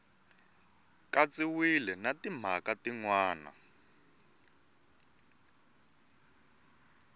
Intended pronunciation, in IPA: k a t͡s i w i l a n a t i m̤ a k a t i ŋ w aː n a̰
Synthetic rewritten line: k a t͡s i w i l ɛ n a t i m̤ a k a t i ŋ w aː n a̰